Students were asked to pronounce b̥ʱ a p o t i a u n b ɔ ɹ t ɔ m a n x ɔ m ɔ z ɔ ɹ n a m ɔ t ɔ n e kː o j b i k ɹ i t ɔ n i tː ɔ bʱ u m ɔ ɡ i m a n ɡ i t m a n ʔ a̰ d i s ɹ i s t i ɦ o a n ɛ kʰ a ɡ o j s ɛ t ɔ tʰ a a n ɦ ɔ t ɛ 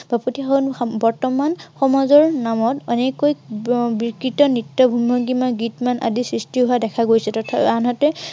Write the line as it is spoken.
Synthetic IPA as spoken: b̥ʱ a p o t i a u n b ɔ ɹ t ɔ m a n x ɔ m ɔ z ɔ ɹ n a m ɔ t ɔ n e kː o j b i k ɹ i t ɔ n i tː ɔ bʱ u m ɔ ɡ i m a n ɡ i t m a n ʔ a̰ d i s ɹ i s t i ɦ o a d ɛ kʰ a ɡ o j s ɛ t ɔ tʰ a a n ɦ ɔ t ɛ